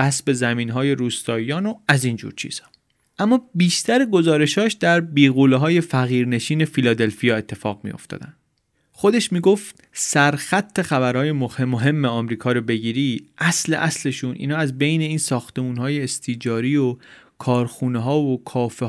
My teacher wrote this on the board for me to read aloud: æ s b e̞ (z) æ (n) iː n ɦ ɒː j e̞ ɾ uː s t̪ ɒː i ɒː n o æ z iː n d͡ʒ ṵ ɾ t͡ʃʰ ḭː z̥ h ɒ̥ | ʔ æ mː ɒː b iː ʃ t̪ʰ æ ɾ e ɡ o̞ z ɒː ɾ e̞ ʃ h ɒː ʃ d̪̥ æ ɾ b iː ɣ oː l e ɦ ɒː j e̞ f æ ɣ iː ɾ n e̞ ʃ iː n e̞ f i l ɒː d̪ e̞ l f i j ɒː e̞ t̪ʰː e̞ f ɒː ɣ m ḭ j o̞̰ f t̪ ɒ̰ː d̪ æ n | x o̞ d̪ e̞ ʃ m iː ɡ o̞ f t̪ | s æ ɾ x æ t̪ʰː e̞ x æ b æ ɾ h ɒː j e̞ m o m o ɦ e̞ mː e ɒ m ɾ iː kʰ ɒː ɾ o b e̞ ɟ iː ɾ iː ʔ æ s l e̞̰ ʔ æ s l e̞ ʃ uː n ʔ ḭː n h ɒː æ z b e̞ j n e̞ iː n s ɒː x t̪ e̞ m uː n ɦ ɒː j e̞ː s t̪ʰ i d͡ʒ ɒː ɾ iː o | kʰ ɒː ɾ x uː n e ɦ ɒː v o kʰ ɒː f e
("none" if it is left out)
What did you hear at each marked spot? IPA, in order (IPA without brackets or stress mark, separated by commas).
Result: z, m